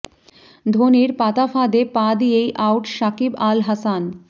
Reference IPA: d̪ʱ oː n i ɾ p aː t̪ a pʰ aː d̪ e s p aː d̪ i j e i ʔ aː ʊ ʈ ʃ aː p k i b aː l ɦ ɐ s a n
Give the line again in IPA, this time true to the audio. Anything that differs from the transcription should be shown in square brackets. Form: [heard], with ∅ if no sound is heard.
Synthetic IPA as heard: d̪ʱ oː n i ɾ p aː t̪ a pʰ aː d̪ e [∅] p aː d̪ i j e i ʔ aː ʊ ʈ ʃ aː [∅] k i b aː l ɦ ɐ s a n